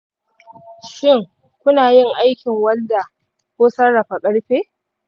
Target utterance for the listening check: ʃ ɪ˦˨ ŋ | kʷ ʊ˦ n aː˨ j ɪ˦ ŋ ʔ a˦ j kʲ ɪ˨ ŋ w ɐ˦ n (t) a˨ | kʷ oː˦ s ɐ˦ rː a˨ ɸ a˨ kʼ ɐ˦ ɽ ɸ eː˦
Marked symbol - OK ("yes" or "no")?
no